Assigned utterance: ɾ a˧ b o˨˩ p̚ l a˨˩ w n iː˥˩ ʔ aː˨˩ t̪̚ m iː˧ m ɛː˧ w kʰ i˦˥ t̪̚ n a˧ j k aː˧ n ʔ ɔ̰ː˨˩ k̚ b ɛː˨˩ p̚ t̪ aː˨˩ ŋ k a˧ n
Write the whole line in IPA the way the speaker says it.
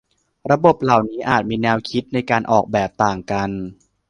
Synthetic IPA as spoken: ɾ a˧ b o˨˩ p̚ l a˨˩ w n iː˦˥ ʔ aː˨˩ t̪̚ m iː˧ n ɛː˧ w kʰ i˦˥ t̪̚ n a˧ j k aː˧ n ʔ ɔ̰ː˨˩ k̚ b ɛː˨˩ p̚ t̪ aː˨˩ ŋ k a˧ n